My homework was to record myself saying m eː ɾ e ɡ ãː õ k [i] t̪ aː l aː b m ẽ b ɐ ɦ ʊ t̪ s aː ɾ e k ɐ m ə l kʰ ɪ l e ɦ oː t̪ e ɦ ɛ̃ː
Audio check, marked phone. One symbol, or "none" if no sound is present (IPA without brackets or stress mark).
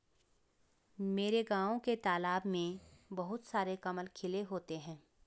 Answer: e